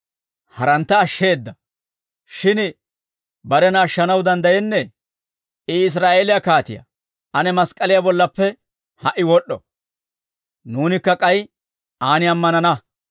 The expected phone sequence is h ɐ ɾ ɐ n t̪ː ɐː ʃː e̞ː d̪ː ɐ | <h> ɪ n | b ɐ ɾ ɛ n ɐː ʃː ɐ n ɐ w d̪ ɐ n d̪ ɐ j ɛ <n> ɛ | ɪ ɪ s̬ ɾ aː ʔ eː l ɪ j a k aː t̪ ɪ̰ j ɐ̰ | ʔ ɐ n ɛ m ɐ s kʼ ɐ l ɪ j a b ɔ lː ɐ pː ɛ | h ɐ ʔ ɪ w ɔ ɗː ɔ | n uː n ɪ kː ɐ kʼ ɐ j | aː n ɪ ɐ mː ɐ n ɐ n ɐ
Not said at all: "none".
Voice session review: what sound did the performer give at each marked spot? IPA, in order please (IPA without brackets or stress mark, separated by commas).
ʃ, nː